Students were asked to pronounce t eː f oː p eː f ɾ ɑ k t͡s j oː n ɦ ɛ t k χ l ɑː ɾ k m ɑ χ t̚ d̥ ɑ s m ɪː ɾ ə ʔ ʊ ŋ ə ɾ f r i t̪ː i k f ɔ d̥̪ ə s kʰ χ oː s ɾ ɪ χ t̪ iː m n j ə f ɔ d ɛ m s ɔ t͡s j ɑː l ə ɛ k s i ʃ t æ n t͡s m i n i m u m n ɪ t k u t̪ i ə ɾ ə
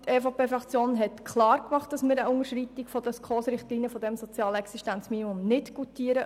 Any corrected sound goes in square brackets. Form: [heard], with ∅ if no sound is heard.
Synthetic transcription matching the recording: t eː f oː p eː f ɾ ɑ k t͡s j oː n ɦ ɛ t k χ l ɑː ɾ k m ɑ χ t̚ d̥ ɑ s m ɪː ɾ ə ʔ ʊ ŋ ə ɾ [ʃ] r i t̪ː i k f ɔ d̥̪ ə s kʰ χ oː s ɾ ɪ χ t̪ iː [∅] n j ə f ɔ d ɛ m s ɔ t͡s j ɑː l ə ɛ k s i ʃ t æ n t͡s m i n i m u m n ɪ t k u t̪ i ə ɾ ə